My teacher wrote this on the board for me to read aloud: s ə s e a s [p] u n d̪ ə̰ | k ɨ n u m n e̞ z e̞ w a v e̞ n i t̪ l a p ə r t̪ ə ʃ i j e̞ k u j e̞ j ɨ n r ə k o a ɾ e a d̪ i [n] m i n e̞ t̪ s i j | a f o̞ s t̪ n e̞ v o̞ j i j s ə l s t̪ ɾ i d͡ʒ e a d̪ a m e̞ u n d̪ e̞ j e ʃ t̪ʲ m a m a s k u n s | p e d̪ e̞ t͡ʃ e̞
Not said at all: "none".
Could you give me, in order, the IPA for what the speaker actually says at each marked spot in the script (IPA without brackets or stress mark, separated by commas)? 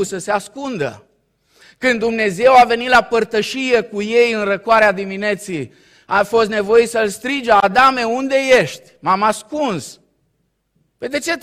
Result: k, none